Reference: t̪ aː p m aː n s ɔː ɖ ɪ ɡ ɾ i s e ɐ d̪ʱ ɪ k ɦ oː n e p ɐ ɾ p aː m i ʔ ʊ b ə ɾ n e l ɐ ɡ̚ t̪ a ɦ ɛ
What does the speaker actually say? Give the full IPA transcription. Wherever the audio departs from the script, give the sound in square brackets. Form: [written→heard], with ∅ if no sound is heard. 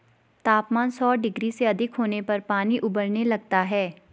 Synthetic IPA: t̪ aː p m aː n s ɔː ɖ ɪ ɡ ɾ i s e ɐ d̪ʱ ɪ k ɦ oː n e p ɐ ɾ p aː [m→n] i ʔ ʊ b ə ɾ n e l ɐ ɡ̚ t̪ a ɦ [ɛ→ɛː]